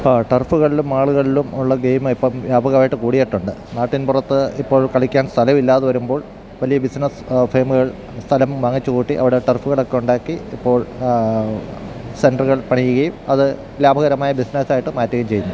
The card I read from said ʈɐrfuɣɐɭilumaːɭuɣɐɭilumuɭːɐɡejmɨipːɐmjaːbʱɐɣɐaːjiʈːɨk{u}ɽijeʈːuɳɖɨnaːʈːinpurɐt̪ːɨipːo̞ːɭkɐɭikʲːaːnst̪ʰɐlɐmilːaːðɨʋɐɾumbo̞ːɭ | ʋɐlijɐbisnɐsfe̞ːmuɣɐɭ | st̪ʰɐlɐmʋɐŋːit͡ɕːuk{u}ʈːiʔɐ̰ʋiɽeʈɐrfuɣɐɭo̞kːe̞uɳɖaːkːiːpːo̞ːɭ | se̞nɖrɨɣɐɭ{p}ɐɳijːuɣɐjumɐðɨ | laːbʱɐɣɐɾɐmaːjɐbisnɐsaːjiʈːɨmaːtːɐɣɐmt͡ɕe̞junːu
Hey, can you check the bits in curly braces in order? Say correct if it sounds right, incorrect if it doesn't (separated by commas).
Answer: incorrect, incorrect, correct